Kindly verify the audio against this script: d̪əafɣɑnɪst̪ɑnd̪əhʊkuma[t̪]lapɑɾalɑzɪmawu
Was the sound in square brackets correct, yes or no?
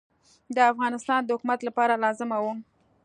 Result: yes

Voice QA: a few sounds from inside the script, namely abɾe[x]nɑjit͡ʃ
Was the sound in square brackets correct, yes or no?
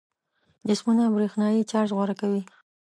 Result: yes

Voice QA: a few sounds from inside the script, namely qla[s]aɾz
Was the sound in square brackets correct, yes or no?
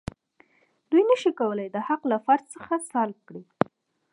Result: no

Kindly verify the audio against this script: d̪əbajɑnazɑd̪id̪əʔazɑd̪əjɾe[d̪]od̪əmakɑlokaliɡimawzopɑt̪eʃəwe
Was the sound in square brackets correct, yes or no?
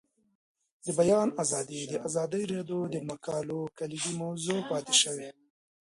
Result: yes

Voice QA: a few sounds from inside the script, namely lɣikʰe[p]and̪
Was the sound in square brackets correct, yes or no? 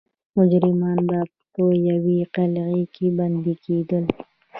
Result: no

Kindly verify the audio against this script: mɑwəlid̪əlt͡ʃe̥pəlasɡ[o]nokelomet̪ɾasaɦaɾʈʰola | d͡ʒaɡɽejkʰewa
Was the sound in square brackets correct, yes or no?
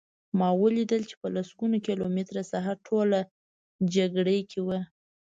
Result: no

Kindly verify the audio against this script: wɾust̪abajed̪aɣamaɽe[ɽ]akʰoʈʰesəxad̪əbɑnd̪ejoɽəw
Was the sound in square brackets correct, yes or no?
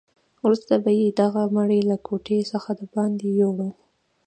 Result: no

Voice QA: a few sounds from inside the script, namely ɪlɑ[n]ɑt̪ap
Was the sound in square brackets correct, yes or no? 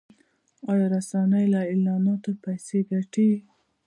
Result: yes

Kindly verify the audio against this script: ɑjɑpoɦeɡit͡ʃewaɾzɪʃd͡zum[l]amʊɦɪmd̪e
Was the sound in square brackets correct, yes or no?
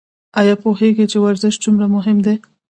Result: no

